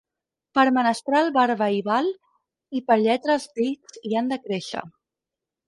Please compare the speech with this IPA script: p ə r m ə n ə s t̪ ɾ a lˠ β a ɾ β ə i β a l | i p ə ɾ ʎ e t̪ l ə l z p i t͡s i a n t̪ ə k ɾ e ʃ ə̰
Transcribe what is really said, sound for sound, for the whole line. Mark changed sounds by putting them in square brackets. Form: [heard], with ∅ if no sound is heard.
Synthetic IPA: p ə [ɾ] m ə n ə s t̪ ɾ a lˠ β a ɾ β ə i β a l | i p ə ɾ ʎ [ɛ] t̪ [ɾ] ə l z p i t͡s i a n [d̪] ə k ɾ e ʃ ə̰